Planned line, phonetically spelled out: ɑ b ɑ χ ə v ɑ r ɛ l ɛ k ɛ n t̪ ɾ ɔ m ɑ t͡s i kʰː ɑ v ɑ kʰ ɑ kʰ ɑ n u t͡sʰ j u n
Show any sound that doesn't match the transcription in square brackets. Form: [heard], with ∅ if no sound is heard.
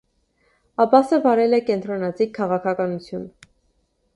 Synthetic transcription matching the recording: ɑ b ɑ [s] ə v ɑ [ɾ] ɛ l ɛ k ɛ n t̪ ɾ ɔ [n] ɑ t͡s i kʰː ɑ [ʁ] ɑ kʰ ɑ [k] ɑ n u t͡sʰ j u n